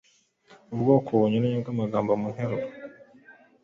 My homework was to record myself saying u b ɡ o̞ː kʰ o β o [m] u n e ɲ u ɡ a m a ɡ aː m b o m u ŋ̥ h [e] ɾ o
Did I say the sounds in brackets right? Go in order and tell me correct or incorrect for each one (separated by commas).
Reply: incorrect, correct